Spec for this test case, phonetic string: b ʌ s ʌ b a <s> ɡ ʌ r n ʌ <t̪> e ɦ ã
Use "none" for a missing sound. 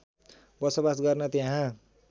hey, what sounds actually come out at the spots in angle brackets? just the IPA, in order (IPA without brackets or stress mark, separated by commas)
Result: s, t̪